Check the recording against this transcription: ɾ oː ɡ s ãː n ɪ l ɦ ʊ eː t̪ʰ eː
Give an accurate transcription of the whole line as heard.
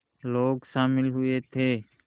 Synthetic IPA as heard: l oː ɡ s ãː m ɪ l ɦ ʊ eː t̪ʰ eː